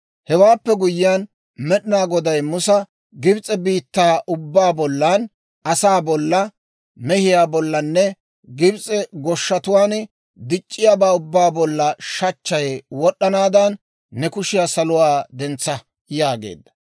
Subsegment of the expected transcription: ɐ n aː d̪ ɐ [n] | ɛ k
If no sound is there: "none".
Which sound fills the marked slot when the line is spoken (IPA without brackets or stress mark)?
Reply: nː